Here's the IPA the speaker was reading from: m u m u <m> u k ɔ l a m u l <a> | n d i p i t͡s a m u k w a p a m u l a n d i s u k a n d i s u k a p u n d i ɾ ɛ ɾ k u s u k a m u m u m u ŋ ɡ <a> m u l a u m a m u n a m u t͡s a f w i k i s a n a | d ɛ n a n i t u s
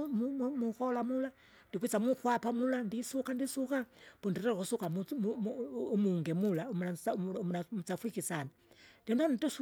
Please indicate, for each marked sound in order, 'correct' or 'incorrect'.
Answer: correct, correct, incorrect: ɛ

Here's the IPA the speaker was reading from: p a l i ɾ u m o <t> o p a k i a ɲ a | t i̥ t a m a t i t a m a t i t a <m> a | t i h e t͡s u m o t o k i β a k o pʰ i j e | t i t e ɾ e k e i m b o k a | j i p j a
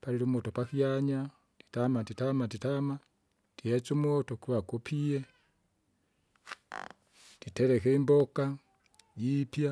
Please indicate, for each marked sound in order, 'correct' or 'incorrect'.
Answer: correct, correct

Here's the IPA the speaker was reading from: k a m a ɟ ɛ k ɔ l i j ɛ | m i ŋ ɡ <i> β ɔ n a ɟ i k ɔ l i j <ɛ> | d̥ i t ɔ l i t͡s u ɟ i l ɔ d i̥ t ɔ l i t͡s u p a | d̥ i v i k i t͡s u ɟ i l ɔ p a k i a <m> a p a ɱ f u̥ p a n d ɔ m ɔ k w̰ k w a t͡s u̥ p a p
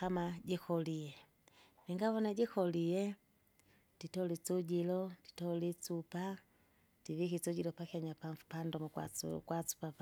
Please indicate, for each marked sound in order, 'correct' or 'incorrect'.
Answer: incorrect: a, correct, incorrect: ɲ

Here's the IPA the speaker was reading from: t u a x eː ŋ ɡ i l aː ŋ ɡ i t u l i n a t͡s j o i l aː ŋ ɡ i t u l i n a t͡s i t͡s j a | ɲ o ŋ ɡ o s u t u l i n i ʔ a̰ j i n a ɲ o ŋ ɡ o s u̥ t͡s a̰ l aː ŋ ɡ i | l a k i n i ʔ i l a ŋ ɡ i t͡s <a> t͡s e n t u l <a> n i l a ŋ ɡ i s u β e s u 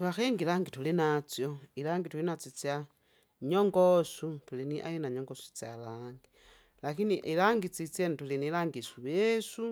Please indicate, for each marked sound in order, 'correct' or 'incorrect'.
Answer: incorrect: i, incorrect: i

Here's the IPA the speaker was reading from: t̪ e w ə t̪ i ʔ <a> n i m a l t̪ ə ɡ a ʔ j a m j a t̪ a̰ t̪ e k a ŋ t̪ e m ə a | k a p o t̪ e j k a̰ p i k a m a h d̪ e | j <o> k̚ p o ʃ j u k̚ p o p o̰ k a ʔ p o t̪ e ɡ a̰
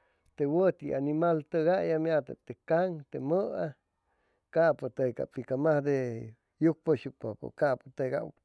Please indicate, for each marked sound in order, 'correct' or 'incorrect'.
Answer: correct, incorrect: u

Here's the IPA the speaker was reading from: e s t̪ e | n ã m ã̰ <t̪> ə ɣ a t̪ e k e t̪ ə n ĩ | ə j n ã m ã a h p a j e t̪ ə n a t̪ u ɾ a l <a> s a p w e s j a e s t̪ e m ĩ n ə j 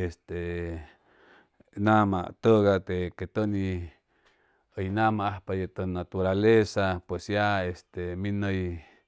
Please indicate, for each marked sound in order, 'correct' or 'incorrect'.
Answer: correct, incorrect: e

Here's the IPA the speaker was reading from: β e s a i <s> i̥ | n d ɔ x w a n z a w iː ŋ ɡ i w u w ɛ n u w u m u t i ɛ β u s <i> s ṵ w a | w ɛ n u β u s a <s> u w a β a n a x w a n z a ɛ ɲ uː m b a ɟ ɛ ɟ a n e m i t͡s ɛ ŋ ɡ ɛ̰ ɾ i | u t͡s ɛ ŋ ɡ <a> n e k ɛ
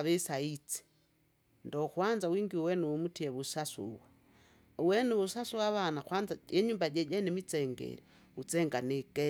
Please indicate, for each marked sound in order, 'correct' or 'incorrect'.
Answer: incorrect: t͡s, incorrect: a, correct, correct

